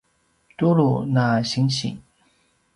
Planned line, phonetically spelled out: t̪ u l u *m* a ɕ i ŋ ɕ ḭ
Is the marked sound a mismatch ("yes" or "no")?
yes